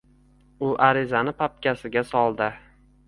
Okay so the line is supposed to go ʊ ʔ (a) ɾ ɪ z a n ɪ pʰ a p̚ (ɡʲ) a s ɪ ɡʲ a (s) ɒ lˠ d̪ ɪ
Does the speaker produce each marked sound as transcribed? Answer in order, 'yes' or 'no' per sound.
yes, no, yes

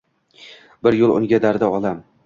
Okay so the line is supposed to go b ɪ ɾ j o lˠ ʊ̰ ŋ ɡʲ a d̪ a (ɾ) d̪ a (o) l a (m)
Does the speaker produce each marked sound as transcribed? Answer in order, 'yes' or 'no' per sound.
yes, no, yes

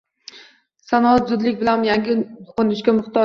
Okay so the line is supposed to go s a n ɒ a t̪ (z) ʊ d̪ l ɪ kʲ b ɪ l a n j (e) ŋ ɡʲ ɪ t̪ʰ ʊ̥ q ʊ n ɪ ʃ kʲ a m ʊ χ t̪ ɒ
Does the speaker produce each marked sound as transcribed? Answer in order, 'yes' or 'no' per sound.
yes, no

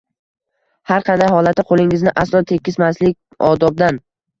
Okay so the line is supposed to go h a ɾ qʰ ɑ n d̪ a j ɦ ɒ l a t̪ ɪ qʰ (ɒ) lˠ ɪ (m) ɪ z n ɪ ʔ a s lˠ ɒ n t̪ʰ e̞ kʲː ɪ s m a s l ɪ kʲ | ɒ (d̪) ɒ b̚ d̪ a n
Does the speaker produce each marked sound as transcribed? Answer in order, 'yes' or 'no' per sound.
no, no, yes

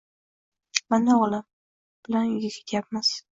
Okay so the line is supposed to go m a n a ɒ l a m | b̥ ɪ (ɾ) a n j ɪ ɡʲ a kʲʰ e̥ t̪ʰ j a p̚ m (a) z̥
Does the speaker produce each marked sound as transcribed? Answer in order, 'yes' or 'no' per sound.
no, yes

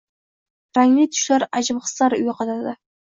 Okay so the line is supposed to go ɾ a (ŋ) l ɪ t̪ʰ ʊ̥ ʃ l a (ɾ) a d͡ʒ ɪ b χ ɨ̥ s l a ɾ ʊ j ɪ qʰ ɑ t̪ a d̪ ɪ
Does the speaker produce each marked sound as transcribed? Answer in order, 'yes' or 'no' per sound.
yes, yes

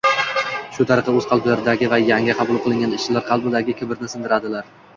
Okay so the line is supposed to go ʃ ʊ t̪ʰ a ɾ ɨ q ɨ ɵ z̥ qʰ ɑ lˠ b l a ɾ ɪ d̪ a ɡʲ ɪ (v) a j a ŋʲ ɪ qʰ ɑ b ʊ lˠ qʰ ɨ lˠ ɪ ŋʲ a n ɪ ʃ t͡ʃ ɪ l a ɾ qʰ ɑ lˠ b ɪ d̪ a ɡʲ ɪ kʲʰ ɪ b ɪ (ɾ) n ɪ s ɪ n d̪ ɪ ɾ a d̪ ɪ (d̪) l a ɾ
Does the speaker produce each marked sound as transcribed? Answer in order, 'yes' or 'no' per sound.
yes, yes, no

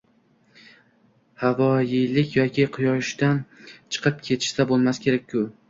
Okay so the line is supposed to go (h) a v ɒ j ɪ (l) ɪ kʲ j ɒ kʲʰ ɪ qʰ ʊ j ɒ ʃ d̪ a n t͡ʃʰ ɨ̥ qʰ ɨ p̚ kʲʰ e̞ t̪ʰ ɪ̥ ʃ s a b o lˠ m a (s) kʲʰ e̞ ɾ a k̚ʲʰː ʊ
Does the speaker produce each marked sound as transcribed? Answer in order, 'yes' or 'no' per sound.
yes, yes, yes

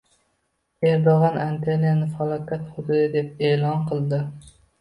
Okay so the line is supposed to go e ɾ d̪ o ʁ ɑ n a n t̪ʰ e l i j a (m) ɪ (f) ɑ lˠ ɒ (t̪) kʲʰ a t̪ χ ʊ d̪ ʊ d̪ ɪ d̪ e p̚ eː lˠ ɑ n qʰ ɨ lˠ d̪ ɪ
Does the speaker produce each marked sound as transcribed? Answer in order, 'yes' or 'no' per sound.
no, yes, no

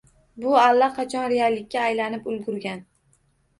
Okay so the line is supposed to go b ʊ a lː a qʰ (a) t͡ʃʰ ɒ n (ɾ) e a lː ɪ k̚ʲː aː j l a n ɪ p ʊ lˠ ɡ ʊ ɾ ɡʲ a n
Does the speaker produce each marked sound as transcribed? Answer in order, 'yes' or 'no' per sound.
no, yes

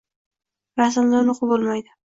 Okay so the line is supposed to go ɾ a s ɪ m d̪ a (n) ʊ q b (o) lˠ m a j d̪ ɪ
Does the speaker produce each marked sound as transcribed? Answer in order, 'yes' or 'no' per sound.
yes, yes

